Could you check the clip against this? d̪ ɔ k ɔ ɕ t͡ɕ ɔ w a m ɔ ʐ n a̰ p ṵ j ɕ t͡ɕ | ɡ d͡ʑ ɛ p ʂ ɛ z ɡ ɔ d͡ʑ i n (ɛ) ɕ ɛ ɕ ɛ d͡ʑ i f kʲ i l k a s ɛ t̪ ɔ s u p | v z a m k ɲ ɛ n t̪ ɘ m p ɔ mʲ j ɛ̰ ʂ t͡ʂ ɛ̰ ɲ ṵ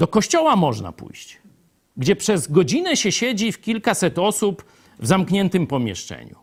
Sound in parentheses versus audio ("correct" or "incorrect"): correct